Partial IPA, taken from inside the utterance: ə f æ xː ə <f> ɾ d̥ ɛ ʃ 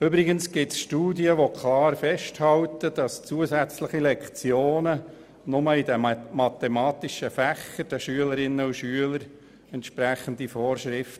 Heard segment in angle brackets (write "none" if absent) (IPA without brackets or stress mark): none